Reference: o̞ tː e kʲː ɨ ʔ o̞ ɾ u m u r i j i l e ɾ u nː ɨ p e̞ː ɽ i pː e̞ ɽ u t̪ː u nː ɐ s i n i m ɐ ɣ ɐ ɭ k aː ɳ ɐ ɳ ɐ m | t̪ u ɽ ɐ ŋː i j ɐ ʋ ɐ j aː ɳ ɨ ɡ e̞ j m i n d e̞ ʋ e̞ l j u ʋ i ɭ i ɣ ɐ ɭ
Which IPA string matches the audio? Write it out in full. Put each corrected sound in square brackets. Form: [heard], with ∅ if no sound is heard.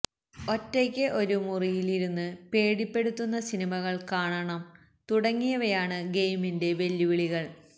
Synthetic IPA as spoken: o̞ tː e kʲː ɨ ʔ o̞ ɾ u m u r i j i l [i] ɾ u nː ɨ p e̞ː ɽ i pː e̞ ɽ u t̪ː u nː ɐ s i n i m ɐ ɣ ɐ ɭ k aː ɳ ɐ ɳ ɐ m | t̪ u ɽ ɐ ŋː i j ɐ ʋ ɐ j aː ɳ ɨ ɡ e̞ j m i n d e̞ ʋ e̞ l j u ʋ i ɭ i ɣ ɐ ɭ